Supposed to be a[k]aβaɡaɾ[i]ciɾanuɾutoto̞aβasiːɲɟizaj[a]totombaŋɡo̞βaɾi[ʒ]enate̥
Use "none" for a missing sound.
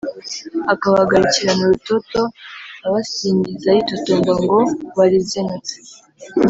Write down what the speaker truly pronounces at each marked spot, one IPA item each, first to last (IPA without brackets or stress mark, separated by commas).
k, i, i, z